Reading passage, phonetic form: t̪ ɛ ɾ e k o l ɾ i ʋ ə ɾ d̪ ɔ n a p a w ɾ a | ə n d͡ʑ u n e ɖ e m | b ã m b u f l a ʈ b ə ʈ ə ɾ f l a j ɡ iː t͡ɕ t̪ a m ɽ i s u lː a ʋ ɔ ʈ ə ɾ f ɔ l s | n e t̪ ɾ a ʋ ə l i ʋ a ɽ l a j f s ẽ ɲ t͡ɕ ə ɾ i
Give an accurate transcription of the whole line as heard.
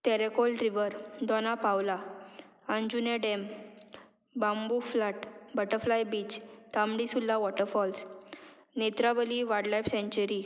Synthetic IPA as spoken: t̪ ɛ ɾ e k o l ɾ i ʋ ə ɾ d̪ ɔ n a p a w l a | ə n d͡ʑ u n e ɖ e m | b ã m b u f l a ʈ b ə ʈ ə ɾ f l a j b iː t͡ɕ t̪ a m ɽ i s u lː a ʋ ɔ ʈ ə ɾ f ɔ l s | n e t̪ ɾ a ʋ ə l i ʋ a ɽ l a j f s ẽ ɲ t͡ɕ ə ɾ i